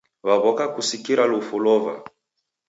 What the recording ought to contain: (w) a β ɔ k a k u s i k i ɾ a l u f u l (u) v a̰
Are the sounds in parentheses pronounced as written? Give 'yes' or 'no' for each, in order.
no, no

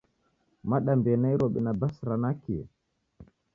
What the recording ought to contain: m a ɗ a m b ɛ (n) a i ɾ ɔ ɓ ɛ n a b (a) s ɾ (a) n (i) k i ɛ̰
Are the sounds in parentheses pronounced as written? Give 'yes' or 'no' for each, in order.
yes, yes, yes, no

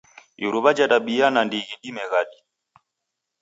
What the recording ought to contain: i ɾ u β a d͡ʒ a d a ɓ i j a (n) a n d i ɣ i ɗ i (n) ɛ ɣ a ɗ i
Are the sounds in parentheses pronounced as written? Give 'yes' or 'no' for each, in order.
yes, no

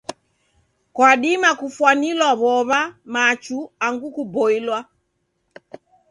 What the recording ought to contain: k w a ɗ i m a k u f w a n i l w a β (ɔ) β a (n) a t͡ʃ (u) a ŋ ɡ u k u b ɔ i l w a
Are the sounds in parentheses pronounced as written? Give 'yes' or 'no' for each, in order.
yes, no, yes

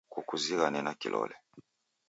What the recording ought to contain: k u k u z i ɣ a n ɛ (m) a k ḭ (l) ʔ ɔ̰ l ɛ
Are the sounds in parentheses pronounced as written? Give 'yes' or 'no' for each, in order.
no, yes

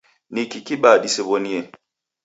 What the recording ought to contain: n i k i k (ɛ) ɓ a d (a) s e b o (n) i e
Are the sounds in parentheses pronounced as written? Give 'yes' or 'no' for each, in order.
no, no, yes

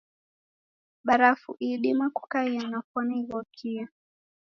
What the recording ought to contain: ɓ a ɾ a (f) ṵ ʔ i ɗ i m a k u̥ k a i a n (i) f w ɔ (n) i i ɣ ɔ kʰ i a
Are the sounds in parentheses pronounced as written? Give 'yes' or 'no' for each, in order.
yes, no, yes

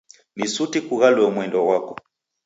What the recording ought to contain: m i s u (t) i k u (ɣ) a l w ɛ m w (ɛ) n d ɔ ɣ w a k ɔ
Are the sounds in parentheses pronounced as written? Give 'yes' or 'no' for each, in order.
yes, yes, yes

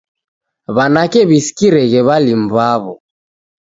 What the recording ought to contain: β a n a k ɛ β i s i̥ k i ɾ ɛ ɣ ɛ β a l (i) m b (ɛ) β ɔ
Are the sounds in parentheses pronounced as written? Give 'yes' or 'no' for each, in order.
yes, no

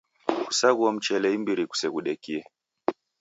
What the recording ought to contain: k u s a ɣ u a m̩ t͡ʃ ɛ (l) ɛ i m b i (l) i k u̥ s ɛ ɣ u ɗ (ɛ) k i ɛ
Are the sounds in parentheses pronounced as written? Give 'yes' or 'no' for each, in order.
yes, no, yes

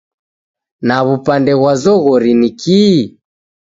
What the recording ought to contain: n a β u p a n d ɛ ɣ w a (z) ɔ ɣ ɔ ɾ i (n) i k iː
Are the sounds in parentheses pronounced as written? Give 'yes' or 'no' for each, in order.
yes, yes

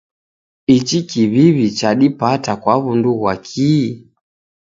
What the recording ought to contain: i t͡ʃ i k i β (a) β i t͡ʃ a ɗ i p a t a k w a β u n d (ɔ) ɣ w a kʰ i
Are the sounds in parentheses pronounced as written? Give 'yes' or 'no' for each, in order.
no, no

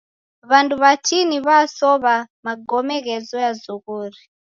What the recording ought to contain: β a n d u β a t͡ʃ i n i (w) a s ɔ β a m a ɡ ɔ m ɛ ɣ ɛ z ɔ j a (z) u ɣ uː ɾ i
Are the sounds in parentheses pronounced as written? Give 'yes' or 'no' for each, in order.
no, yes

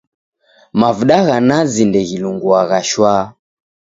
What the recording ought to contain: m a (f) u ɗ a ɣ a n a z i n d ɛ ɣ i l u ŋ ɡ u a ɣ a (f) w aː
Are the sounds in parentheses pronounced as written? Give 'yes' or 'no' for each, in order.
no, no

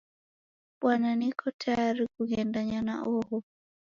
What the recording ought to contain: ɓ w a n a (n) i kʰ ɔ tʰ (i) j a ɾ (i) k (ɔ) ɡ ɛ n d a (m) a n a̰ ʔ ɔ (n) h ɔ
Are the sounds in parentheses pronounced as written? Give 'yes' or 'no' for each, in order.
yes, no, yes, no, no, no

